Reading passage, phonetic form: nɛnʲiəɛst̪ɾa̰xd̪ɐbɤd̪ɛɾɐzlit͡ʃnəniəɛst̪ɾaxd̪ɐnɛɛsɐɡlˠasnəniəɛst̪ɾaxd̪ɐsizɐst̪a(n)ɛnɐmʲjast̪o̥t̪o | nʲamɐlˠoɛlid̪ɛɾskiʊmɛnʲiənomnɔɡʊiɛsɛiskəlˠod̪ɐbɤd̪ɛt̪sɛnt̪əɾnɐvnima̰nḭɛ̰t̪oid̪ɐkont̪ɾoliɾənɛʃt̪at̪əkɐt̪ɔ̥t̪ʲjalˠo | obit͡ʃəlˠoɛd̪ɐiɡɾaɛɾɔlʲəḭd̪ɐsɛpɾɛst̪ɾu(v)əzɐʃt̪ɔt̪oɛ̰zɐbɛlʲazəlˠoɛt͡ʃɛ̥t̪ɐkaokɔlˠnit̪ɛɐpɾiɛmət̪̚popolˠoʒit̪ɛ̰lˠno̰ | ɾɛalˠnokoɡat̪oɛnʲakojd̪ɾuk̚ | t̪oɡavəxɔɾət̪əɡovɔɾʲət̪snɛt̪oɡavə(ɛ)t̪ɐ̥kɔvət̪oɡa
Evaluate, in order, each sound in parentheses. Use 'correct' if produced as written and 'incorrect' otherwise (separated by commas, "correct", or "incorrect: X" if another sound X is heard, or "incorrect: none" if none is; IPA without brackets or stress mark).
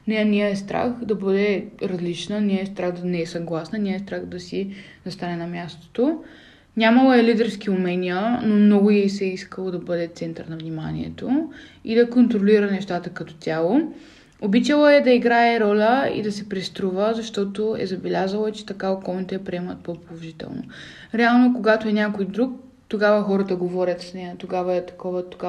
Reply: correct, correct, correct